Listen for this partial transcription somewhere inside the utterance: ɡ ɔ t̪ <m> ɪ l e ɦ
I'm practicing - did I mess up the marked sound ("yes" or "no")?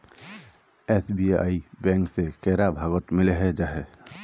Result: no